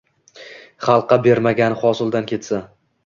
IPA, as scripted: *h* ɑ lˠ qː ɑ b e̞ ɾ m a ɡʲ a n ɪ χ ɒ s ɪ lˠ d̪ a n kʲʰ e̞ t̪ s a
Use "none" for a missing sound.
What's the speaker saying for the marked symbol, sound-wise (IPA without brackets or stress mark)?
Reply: χ